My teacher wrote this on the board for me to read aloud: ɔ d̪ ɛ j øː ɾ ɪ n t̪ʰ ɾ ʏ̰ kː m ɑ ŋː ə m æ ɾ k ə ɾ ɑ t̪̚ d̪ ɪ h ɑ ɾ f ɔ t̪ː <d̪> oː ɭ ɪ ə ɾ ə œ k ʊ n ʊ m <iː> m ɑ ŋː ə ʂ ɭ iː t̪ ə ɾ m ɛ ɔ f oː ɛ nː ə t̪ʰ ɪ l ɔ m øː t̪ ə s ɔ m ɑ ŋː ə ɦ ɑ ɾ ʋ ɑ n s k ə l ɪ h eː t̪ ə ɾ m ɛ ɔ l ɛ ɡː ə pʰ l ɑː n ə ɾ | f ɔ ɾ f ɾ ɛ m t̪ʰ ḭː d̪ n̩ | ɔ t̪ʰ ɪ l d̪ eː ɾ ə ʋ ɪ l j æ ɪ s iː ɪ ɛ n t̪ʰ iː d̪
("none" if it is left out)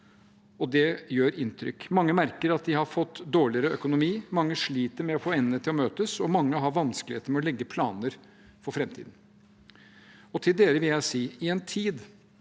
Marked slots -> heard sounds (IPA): d̪, iː

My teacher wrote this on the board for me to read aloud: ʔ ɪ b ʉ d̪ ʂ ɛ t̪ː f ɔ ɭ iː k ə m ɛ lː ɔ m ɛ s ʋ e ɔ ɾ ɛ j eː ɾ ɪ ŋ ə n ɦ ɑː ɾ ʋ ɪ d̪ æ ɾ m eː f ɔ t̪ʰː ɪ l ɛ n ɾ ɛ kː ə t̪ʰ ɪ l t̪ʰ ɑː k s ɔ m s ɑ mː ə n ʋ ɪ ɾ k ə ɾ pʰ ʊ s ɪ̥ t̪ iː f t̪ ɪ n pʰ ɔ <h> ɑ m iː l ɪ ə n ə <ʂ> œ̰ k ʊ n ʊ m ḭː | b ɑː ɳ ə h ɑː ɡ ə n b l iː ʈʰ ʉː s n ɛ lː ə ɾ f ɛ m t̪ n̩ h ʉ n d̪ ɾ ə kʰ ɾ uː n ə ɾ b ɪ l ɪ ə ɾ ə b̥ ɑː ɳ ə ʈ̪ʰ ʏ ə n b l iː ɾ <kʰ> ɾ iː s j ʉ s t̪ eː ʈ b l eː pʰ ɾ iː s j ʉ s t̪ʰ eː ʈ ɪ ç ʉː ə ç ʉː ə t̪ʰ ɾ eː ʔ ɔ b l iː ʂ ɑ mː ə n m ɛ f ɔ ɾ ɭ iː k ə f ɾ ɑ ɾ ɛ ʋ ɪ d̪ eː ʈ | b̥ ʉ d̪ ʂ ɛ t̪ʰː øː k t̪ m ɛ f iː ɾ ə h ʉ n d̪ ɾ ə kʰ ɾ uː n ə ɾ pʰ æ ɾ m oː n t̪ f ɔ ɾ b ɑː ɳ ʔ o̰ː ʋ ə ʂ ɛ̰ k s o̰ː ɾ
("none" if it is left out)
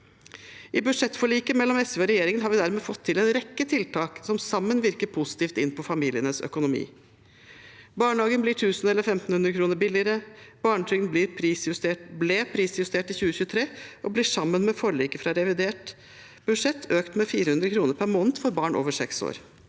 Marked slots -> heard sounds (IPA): f, s, pʰ

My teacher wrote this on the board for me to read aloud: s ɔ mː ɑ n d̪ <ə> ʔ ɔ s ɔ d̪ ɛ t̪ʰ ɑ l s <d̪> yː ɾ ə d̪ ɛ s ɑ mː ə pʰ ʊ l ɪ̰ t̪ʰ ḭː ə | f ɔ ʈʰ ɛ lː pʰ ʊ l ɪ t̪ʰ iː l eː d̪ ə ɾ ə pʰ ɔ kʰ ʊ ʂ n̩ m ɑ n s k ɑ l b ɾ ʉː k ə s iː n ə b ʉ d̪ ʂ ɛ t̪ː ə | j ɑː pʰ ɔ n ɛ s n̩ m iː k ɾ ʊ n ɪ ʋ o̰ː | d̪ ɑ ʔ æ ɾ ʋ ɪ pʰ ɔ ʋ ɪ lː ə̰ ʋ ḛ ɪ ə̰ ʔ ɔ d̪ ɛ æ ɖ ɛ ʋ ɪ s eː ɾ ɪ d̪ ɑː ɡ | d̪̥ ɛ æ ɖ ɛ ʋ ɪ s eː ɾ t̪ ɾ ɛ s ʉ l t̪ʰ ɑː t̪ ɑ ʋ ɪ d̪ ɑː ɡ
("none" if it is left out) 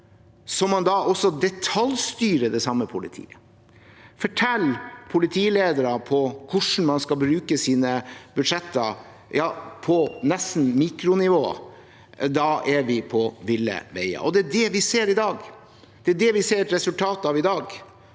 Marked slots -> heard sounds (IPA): ɑ, t̪

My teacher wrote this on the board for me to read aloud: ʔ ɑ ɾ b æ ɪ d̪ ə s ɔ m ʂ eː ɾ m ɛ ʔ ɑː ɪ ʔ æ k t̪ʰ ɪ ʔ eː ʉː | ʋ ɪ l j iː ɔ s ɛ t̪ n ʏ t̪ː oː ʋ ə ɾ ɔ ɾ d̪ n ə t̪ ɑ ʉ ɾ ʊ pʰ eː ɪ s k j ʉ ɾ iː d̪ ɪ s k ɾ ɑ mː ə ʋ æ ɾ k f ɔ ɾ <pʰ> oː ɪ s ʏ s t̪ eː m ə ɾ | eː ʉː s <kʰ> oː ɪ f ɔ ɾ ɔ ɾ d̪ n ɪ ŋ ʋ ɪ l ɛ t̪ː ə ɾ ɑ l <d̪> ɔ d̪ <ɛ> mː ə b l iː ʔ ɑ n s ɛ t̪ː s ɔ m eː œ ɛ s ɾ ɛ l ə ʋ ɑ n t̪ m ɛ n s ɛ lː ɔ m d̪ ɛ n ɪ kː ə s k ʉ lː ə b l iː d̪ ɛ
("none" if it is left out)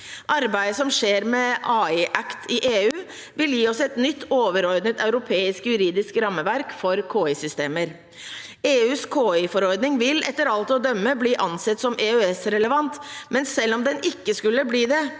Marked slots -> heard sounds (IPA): kʰ, kʰ, t̪, œ

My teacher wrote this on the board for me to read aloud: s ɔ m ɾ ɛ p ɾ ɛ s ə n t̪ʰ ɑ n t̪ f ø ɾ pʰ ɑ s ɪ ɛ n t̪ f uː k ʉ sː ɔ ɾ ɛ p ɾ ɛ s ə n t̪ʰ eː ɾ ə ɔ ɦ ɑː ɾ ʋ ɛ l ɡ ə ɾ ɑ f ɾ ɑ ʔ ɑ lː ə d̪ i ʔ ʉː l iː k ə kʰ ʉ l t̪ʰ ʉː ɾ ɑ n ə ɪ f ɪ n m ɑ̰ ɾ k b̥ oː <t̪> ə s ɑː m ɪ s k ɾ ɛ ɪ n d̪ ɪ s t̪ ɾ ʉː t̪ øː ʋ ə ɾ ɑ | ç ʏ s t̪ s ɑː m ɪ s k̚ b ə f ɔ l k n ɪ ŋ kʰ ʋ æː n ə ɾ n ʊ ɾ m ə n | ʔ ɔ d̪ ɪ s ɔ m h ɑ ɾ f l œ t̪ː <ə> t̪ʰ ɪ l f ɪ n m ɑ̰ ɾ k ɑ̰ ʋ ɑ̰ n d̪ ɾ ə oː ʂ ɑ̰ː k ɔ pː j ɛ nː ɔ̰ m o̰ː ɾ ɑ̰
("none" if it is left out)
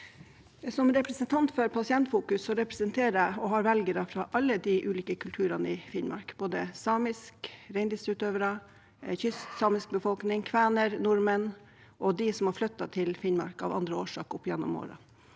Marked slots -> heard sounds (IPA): d̪, ɑ

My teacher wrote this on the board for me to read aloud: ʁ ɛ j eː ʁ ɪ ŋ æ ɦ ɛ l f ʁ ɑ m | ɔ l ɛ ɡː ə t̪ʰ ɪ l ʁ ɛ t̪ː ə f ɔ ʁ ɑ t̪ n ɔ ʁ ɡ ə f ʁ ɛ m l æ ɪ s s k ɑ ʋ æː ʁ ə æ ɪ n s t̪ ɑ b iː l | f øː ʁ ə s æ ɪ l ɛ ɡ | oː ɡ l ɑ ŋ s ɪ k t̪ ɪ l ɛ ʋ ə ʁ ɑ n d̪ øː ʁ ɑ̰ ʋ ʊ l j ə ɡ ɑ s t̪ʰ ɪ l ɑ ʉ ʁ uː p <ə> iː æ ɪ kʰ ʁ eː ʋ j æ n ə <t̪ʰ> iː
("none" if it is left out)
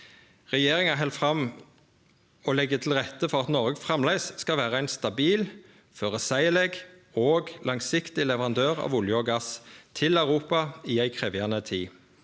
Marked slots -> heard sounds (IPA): ɑ, t̪ʰ

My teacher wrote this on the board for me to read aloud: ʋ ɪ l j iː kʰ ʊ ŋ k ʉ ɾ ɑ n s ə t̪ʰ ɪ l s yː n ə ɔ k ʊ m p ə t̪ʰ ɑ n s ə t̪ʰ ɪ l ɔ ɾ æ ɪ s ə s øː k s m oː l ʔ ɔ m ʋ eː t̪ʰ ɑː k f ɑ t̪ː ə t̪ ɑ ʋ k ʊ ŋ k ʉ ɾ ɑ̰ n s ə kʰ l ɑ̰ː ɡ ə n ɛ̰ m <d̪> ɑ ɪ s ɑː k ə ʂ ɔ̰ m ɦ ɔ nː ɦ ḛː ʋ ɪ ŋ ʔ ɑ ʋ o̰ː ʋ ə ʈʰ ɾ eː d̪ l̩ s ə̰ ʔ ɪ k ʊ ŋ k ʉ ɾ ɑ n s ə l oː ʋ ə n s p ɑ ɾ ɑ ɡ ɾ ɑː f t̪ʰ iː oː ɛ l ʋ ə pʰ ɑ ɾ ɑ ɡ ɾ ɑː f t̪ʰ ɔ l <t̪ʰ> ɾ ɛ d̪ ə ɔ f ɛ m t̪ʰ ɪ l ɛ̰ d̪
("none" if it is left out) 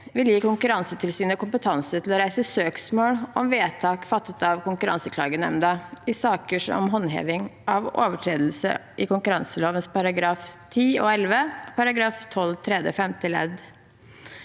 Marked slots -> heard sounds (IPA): d̪, t̪ʰ

